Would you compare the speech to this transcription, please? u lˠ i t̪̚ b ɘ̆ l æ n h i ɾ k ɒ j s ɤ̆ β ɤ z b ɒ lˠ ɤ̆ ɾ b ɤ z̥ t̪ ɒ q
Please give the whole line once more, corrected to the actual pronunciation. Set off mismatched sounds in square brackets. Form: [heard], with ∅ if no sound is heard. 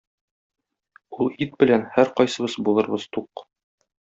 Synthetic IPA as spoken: u lˠ i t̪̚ b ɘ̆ l æ n h [æ] ɾ [q] ɒ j s ɤ̆ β ɤ z b [u] lˠ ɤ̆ ɾ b ɤ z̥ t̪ [u] q